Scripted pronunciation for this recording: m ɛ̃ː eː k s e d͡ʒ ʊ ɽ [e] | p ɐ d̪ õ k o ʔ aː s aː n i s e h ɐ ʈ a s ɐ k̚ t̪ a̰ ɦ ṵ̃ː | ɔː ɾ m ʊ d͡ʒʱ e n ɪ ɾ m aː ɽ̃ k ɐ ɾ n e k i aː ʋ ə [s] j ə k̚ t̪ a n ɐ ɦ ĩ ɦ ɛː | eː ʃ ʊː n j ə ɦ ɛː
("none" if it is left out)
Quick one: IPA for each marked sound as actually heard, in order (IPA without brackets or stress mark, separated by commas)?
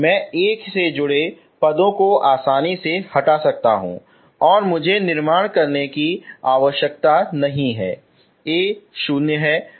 e, ʃ